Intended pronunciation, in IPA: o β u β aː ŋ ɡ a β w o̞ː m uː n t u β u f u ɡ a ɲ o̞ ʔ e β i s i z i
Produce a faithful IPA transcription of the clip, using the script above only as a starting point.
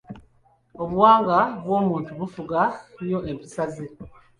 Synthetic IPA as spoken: o β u w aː ŋ ɡ a β w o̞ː m uː n t u β u f u ɡ a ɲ o̞ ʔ e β i s a z i